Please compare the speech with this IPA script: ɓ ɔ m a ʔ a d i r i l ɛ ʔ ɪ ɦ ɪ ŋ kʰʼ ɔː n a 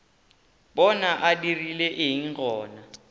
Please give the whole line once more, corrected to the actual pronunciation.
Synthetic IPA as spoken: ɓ ɔ n a ʔ a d i r i l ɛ ʔ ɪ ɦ i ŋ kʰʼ ɔː n a